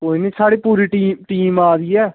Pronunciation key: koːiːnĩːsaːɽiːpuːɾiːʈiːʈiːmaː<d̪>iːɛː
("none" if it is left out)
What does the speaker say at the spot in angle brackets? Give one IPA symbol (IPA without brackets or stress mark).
d̪